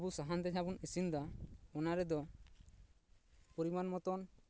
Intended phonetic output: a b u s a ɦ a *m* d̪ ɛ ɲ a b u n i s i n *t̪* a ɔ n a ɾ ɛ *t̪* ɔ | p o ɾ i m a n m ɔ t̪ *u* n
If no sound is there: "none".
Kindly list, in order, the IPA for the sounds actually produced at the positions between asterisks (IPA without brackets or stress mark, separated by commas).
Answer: n, d̪, d̪, ɔ